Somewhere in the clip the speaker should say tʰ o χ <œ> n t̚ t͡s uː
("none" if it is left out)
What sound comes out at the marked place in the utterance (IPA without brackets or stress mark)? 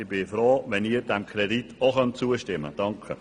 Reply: œ